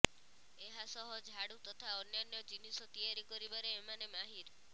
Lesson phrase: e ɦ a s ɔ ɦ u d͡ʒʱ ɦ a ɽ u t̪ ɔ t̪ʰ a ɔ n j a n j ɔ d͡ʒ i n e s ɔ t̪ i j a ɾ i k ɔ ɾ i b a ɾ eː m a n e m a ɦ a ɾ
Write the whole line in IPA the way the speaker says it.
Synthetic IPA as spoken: e ɦ a s ɔ ɦ ɔ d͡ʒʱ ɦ a ɽ u t̪ ɔ t̪ʰ a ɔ n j a n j ɔ d͡ʒ i n i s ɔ t̪ i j a ɾ i k ɔ ɾ i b a ɾ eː m a n e m a ɦ i ɾ